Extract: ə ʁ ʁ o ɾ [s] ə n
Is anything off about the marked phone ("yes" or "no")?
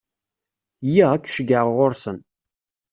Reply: no